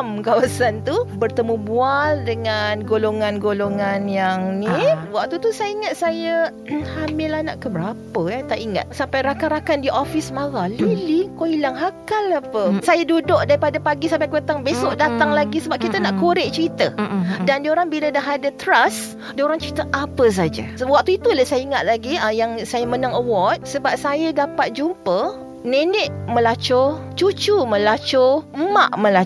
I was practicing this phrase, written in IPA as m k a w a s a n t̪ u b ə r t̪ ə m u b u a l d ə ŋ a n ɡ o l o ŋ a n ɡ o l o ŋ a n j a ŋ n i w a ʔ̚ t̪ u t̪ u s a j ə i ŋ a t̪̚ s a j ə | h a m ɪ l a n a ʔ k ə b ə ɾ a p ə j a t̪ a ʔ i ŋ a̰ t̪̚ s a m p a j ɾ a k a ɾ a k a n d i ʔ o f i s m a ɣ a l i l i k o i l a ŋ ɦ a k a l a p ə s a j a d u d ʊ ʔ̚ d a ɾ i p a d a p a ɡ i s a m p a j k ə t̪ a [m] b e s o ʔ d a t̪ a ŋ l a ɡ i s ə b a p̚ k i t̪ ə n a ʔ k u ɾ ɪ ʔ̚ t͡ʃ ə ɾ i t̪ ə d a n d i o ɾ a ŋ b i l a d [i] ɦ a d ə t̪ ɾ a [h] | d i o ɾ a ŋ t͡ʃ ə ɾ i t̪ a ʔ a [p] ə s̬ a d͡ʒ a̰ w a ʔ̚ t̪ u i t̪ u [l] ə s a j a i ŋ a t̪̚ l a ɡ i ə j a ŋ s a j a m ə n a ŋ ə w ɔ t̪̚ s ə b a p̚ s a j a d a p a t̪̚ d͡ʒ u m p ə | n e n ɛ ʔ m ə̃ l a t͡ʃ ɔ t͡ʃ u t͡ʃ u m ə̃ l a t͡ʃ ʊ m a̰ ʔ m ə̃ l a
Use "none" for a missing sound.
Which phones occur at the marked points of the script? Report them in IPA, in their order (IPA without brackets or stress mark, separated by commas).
ŋ, a, s, p, l